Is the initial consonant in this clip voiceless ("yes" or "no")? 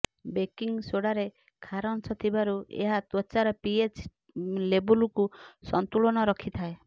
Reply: no